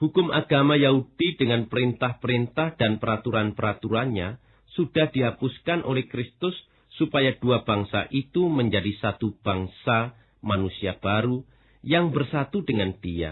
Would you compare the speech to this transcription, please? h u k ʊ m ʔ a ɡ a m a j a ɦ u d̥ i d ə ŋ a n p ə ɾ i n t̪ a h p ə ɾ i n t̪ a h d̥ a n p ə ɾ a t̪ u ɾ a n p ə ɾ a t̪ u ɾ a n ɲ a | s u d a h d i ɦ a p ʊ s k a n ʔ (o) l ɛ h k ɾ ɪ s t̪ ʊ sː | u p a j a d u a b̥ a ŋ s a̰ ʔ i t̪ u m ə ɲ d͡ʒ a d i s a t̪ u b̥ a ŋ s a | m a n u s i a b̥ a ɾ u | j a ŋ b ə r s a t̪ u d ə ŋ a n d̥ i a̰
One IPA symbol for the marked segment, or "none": o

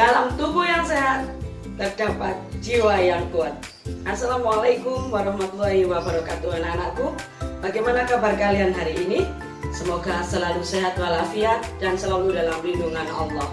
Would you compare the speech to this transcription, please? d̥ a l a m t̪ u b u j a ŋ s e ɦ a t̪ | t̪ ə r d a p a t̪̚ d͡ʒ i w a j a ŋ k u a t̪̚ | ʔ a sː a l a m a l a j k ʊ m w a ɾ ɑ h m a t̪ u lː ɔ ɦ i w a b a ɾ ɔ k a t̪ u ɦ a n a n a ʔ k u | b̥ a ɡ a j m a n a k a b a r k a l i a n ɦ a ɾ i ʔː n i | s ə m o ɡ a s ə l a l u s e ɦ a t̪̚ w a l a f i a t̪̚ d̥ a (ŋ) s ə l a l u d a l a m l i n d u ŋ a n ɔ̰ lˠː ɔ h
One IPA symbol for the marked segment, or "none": n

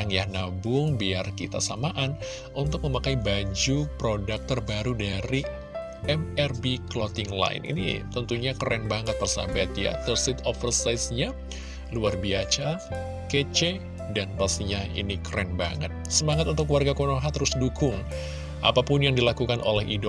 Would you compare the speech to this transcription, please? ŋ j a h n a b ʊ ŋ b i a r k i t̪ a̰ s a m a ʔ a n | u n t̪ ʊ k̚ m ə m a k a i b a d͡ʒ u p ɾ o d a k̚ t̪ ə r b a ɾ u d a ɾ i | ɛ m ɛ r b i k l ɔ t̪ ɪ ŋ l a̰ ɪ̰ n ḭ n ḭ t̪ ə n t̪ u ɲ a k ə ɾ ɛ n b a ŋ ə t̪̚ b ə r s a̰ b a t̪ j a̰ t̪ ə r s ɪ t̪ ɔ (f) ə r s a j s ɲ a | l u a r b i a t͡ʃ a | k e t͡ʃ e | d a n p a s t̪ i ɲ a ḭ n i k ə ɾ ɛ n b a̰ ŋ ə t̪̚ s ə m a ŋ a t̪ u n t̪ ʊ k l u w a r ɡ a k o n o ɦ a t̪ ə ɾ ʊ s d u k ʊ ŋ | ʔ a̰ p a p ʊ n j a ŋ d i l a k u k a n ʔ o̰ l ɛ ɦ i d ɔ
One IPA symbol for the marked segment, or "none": f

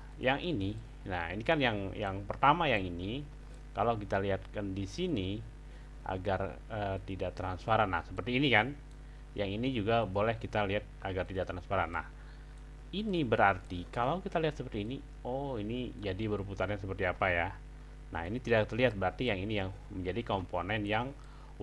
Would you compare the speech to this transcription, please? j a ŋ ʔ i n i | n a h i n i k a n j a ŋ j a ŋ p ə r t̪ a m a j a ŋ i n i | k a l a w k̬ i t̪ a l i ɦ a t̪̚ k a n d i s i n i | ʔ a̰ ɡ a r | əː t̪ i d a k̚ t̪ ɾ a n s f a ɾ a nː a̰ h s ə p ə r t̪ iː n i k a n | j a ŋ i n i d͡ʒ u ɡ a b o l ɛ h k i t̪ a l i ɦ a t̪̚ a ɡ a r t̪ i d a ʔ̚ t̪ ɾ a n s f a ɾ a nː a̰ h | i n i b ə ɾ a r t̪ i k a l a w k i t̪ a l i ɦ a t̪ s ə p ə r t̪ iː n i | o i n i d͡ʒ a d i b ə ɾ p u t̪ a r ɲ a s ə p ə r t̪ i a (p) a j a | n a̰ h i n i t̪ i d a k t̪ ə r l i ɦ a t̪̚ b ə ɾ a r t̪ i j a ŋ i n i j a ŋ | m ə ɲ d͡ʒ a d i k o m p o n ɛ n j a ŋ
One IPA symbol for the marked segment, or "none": p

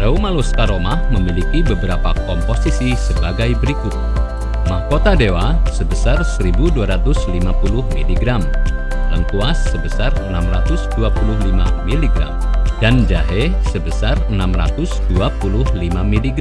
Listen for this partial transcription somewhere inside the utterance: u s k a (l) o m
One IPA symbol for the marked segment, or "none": ɾ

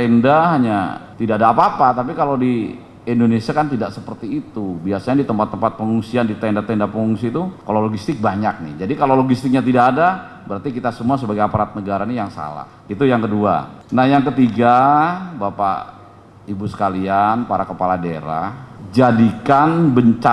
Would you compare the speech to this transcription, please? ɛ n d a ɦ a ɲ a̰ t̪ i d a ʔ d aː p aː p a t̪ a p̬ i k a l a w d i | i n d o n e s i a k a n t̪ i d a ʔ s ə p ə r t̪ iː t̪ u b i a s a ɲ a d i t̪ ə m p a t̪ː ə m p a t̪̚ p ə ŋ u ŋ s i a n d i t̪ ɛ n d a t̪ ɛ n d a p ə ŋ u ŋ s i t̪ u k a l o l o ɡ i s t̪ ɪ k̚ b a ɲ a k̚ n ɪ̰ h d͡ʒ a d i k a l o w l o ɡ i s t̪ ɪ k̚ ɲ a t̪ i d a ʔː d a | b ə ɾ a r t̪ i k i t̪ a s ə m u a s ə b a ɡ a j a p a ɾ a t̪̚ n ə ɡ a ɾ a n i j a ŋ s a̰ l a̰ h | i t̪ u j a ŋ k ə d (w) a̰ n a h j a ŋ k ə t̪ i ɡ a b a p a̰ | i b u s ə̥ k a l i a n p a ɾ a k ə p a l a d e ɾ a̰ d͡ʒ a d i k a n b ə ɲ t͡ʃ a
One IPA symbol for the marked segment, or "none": u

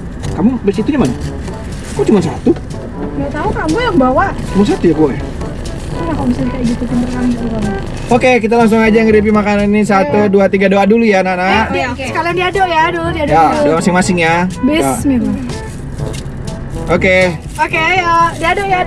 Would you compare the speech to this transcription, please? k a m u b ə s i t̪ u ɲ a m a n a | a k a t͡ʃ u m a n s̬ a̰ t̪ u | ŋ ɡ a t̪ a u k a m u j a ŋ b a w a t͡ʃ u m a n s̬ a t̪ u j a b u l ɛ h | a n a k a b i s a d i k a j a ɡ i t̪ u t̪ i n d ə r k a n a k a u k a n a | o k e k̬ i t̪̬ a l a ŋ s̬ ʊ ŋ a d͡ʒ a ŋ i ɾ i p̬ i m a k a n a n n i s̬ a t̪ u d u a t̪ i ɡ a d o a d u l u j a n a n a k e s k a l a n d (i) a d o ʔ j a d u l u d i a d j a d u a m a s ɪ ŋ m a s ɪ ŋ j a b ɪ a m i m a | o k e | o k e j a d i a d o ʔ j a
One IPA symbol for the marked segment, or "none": i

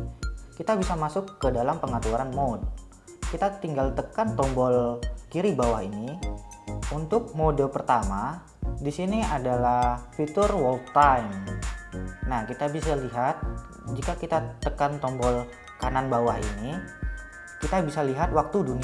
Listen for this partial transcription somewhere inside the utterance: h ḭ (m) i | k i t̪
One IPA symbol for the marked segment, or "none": n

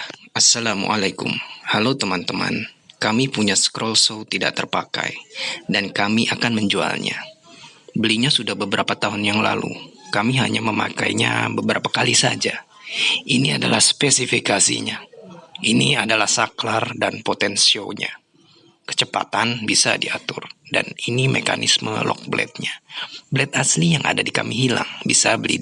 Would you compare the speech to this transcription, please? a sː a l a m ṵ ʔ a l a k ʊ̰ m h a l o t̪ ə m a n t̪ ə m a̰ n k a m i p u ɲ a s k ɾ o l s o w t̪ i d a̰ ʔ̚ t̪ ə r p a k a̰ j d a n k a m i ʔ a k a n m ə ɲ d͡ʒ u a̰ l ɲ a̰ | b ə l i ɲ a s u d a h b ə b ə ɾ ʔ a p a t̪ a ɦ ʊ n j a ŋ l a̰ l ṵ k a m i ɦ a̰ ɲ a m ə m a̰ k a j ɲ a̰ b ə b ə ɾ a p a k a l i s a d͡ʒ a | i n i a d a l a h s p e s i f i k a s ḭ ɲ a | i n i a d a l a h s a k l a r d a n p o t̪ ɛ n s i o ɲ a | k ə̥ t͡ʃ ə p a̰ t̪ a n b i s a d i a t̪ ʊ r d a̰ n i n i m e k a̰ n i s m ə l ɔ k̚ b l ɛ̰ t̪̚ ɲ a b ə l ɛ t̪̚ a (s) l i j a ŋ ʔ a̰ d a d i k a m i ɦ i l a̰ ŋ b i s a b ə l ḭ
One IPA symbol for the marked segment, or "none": s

